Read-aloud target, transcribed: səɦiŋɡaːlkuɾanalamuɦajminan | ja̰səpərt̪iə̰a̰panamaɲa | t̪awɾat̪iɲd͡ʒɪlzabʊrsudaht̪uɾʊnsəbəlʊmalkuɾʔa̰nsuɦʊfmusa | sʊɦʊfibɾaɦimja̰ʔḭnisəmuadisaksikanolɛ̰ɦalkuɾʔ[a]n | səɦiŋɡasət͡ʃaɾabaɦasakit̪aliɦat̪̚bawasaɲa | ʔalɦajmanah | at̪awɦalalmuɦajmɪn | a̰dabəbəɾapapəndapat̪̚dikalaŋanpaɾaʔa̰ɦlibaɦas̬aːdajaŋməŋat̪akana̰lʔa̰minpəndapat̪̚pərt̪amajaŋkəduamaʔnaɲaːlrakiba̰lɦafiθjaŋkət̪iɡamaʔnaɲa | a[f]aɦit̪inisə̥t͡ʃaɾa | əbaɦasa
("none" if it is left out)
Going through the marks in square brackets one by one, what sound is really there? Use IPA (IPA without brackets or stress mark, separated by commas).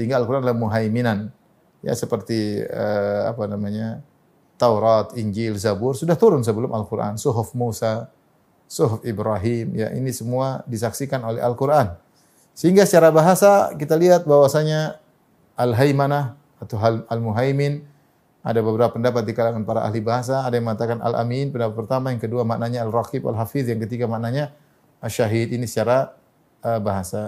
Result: a, ʃ